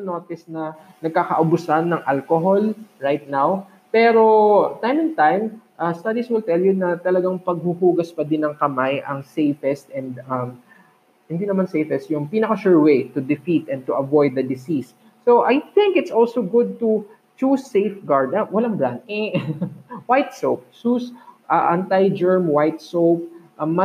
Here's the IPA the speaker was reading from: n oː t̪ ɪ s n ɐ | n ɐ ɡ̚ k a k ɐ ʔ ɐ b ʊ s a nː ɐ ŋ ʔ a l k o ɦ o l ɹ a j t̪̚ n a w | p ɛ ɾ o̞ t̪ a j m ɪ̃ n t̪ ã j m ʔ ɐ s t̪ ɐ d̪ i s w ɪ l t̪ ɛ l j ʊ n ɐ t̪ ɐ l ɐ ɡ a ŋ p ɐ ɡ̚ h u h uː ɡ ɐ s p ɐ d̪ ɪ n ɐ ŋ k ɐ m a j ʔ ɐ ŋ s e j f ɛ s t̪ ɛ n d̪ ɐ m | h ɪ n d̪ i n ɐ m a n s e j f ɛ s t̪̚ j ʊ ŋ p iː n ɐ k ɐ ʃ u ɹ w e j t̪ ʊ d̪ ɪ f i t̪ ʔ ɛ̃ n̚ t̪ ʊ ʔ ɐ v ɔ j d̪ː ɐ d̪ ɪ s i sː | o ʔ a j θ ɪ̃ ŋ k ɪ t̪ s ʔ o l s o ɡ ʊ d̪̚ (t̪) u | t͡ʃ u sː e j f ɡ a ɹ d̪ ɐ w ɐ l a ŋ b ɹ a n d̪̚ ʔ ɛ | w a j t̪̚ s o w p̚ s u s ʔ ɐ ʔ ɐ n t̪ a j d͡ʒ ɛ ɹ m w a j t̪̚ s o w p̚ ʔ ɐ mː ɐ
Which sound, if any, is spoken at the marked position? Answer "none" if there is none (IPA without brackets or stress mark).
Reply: t̪